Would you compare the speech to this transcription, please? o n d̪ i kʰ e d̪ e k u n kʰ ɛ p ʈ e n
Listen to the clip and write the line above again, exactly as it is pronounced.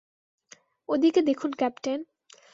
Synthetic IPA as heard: o d̪ i k e d̪ e kʰ u n k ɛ p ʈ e n